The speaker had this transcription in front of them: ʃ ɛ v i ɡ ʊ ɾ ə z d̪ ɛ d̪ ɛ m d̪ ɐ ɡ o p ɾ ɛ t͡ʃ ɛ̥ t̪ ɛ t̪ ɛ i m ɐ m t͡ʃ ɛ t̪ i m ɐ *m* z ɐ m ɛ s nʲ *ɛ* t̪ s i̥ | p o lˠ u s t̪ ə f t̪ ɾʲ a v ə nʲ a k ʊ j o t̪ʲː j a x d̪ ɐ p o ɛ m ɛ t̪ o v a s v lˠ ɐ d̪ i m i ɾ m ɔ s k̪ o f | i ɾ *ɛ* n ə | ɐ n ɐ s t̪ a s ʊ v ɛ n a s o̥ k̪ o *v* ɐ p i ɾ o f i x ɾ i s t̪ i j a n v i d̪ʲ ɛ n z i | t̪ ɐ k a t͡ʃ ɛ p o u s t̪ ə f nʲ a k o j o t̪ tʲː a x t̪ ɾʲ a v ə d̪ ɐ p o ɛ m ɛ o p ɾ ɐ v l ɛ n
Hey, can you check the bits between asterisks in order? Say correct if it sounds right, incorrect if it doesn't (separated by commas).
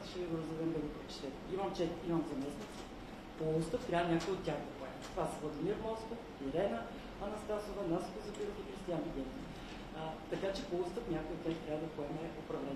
correct, incorrect, correct, incorrect